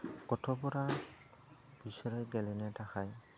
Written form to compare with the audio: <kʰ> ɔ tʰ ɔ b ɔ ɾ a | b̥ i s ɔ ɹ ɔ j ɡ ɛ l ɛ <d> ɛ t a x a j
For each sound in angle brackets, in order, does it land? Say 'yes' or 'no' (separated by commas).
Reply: no, no